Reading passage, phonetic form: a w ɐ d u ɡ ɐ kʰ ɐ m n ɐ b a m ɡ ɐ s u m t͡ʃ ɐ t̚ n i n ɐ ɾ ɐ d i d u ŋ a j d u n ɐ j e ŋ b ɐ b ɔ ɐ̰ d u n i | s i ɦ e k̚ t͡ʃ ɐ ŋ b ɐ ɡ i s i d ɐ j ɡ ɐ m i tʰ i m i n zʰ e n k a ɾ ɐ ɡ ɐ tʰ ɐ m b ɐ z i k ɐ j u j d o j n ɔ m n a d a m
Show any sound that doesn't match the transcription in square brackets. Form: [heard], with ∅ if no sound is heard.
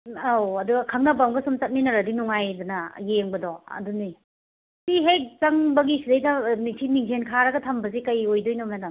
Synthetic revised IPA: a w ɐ d u ɡ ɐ kʰ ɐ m n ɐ b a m ɡ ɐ s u m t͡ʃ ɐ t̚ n i n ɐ ɾ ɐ d i [n] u ŋ a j d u n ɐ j e ŋ b ɐ [d] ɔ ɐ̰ d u n i | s i ɦ e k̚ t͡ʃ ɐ ŋ b ɐ ɡ i s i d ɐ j [d] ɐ m i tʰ i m i [ŋ] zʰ e n [kʰ] a ɾ ɐ ɡ ɐ tʰ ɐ m b ɐ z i k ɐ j [o] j d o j n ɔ m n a d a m